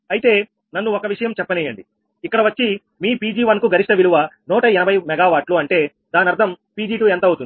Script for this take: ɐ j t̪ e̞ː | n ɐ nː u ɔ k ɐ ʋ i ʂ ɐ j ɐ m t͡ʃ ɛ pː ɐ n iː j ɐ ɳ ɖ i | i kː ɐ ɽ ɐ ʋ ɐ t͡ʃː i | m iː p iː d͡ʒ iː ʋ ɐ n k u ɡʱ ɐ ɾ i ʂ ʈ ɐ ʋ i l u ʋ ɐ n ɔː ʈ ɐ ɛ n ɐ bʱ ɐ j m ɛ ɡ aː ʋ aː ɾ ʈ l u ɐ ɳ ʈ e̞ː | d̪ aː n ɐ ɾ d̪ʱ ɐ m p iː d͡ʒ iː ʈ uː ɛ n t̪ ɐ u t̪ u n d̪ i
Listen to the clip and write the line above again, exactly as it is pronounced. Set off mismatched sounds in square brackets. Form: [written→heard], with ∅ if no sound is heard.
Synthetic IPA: ɐ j t̪ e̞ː | n ɐ nː u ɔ k ɐ ʋ i ʂ ɐ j ɐ m t͡ʃ ɛ pː ɐ n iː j ɐ ɳ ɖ i | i kː ɐ ɽ ɐ ʋ ɐ t͡ʃː i | m iː p iː d͡ʒ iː ʋ ɐ n k u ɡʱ ɐ ɾ i ʂ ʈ ɐ ʋ i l u ʋ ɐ n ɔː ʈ ɐ ɛ n ɐ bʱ ɐ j m ɛ ɡ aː ʋ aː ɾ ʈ l u ɐ ɳ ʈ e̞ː | d̪ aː n ɐ ɾ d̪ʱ ɐ m p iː d͡ʒ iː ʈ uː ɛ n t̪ ɐ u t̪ u n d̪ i